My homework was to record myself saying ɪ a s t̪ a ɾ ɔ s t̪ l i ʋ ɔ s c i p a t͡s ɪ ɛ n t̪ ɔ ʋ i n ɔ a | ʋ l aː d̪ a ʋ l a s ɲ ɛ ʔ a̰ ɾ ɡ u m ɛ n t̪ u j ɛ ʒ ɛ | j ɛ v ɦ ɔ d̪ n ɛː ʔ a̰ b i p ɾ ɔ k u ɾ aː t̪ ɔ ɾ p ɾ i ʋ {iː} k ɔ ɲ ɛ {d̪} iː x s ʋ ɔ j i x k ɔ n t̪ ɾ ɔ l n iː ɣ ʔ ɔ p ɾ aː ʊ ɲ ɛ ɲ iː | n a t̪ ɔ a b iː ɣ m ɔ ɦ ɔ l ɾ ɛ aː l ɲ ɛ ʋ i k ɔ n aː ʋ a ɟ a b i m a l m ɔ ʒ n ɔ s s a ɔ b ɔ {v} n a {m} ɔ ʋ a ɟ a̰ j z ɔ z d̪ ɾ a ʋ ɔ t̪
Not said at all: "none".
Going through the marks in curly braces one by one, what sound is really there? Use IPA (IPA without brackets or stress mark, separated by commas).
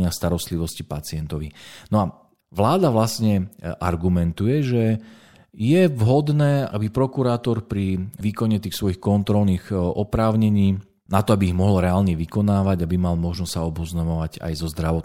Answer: iː, t̪, z, m